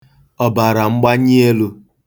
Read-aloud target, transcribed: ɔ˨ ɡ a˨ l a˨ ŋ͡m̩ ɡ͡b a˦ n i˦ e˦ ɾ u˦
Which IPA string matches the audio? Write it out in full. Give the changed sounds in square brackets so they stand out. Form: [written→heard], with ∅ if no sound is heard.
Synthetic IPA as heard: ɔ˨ [ɡ→b] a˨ [l→ɾ] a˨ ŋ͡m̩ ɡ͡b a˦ [n→ɲ] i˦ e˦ [ɾ→l] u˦